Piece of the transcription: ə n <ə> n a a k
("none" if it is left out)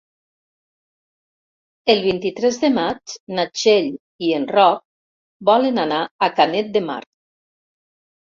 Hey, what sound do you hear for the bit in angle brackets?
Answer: a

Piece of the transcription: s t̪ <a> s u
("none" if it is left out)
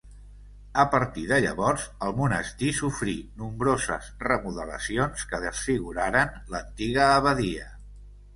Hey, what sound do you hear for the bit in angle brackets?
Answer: i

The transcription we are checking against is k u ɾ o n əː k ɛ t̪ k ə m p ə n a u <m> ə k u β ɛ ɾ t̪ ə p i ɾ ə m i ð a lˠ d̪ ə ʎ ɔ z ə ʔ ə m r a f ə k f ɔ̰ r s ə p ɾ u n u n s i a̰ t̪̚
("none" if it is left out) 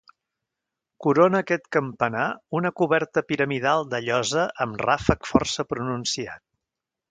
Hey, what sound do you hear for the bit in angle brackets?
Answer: n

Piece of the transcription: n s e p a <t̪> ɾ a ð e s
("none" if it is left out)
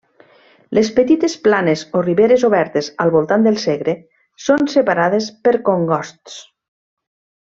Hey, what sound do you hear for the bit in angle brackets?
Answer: none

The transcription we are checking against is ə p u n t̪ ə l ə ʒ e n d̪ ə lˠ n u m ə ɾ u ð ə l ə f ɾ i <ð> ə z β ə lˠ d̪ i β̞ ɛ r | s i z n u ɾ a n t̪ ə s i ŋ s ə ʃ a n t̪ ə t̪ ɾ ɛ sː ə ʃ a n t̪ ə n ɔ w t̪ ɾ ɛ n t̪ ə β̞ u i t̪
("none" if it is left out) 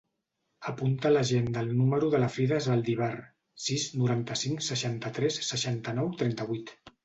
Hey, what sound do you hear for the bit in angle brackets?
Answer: ð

